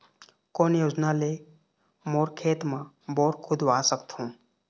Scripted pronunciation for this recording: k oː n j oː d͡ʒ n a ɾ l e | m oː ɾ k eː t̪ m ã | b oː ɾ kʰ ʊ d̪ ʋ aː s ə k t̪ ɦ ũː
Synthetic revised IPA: k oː n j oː d͡ʒ n a l e | m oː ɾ kʰ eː t̪ m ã | b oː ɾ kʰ ʊ d̪ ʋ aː s ə k t̪ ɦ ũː